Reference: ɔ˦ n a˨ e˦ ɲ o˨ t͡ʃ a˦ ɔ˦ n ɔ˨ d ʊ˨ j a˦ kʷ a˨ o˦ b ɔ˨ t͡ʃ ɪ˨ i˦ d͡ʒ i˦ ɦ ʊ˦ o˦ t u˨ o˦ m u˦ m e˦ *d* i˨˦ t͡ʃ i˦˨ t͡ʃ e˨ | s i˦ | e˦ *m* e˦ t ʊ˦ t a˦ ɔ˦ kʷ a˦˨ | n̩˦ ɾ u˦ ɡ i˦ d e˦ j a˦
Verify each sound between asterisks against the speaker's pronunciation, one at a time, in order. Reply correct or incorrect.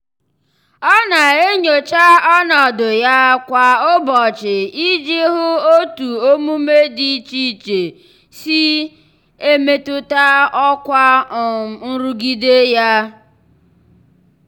correct, correct

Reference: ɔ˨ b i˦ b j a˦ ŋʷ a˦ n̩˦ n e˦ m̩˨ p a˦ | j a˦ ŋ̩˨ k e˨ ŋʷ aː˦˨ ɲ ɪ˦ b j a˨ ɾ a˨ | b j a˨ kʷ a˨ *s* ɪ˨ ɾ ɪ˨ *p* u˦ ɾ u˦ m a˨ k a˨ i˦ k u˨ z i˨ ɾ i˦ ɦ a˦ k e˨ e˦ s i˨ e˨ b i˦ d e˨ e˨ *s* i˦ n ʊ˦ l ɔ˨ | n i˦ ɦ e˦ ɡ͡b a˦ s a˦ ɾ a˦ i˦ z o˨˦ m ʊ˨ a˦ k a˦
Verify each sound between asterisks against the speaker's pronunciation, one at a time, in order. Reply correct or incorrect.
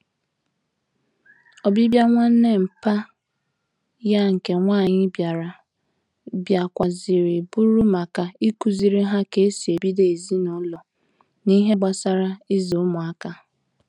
incorrect, incorrect, incorrect

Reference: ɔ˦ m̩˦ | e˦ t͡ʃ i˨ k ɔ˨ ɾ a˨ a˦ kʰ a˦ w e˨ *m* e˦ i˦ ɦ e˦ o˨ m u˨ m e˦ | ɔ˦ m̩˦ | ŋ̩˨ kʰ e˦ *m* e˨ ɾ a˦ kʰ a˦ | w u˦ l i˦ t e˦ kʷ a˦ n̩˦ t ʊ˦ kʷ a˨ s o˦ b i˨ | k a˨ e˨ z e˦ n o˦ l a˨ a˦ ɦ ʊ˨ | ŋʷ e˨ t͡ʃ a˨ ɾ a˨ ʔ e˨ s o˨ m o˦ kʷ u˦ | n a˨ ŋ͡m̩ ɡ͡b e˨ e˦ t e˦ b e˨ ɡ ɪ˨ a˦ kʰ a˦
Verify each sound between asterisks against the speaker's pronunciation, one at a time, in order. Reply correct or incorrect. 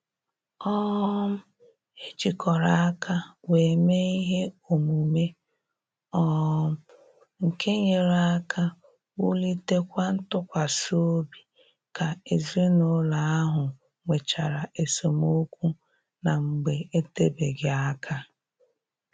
correct, incorrect

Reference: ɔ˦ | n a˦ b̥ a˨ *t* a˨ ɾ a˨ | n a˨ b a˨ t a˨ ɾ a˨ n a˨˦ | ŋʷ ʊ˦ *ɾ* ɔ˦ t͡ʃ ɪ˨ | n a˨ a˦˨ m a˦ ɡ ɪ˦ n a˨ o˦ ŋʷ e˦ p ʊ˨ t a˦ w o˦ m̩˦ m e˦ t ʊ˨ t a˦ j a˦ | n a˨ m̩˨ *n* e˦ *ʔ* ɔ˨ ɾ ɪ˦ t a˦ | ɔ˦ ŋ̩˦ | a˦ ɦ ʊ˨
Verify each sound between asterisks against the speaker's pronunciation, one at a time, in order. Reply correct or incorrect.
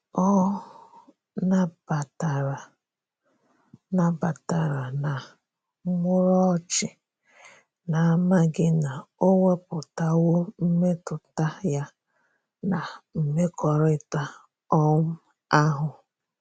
correct, correct, incorrect, incorrect

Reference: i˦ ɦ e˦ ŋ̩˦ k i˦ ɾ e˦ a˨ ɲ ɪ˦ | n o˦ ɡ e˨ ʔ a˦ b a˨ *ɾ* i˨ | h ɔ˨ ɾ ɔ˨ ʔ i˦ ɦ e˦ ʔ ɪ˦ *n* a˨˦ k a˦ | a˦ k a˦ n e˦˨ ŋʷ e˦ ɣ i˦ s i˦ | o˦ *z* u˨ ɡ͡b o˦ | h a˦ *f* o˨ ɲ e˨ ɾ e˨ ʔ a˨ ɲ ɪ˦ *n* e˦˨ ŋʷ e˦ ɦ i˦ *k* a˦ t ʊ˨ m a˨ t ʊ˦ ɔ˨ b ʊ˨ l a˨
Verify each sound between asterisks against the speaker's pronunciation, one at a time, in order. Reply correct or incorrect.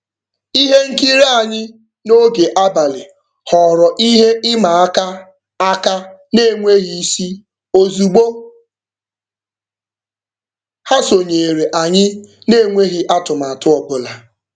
incorrect, incorrect, correct, incorrect, correct, incorrect

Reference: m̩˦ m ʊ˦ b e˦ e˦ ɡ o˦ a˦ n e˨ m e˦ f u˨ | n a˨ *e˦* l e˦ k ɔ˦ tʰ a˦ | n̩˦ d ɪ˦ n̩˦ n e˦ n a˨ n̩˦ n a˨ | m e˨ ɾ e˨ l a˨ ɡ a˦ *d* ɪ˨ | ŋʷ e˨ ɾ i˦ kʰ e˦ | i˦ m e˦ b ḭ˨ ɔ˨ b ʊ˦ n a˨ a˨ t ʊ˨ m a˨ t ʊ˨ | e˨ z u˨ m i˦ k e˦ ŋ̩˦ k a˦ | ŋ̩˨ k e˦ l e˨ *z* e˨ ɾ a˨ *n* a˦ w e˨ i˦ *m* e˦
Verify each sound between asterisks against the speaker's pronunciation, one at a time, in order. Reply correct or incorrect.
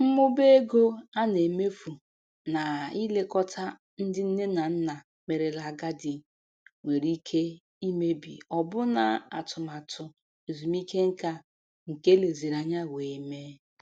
incorrect, correct, correct, incorrect, correct

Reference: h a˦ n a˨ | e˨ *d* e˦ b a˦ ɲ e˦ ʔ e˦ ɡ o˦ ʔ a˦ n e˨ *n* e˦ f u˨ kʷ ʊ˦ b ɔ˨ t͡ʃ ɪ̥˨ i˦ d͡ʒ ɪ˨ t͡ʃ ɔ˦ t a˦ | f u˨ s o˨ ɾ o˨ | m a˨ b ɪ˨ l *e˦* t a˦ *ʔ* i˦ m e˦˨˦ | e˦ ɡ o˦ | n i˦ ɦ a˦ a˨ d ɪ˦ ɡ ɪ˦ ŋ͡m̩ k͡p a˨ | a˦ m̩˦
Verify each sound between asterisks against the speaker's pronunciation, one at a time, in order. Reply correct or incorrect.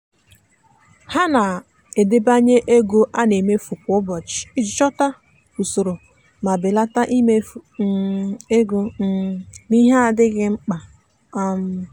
correct, incorrect, incorrect, correct

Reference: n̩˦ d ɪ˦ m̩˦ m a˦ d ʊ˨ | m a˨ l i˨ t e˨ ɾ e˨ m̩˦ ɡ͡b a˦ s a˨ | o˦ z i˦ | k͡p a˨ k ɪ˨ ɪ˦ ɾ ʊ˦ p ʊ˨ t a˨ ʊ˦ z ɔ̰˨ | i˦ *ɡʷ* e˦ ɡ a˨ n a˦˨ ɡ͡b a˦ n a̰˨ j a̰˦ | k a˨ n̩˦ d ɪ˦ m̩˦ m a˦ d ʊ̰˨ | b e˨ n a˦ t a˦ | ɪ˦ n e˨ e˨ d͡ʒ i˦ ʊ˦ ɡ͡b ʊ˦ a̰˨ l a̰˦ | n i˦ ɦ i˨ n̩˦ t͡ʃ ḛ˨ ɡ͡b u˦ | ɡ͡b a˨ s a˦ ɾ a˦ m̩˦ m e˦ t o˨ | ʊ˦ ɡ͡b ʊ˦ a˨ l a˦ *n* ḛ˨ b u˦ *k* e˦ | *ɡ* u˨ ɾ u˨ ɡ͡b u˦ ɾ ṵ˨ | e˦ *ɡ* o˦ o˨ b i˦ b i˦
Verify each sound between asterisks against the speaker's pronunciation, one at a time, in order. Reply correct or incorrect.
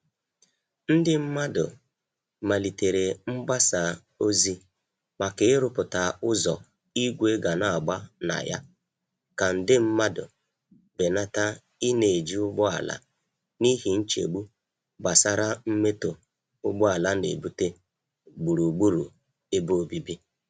correct, correct, incorrect, incorrect, incorrect

